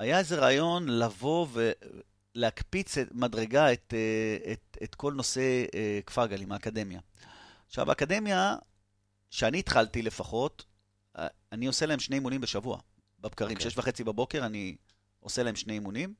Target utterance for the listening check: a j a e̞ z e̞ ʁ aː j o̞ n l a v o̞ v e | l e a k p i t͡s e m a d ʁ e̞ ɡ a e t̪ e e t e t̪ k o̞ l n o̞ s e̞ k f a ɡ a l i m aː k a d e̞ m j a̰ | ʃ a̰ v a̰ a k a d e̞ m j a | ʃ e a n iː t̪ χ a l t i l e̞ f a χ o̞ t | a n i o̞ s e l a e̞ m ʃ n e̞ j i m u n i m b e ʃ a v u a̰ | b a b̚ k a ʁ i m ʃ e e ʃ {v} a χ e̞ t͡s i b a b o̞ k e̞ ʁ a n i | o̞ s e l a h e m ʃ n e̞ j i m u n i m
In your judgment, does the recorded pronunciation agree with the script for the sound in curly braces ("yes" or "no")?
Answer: yes